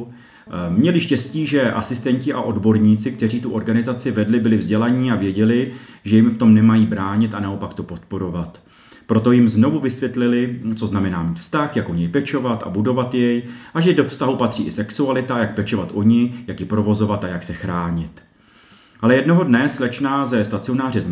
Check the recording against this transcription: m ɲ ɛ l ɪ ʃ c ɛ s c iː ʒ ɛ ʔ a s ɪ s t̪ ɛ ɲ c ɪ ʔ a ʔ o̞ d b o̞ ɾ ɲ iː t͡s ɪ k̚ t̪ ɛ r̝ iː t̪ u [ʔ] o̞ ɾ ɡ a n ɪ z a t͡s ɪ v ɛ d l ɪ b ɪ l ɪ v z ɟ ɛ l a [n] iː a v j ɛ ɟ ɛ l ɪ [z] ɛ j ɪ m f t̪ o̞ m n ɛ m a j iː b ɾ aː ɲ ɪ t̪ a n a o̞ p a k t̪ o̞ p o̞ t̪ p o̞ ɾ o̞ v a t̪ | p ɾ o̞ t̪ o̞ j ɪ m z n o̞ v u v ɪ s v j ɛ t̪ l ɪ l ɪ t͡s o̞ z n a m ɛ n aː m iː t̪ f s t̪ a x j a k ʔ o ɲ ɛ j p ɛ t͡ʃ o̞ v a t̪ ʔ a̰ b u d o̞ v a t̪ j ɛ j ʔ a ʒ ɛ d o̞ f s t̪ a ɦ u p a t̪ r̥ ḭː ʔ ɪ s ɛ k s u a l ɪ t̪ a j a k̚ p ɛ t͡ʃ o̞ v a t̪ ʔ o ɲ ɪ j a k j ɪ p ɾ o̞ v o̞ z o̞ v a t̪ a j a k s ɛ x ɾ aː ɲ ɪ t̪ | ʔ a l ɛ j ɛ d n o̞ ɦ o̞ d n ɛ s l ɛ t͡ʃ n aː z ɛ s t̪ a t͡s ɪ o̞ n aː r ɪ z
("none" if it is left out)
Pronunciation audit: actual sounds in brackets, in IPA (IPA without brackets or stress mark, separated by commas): ʔ, ɲ, ʒ